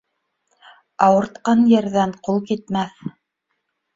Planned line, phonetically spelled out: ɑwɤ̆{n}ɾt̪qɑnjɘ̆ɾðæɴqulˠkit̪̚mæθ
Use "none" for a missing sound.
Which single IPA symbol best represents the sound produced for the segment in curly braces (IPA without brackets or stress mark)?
none